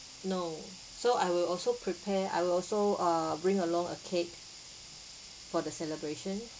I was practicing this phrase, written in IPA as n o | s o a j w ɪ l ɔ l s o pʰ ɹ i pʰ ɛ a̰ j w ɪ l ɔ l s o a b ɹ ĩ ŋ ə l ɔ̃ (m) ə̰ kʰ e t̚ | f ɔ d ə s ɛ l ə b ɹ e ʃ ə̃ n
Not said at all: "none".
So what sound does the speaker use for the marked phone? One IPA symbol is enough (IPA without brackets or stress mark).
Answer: ŋ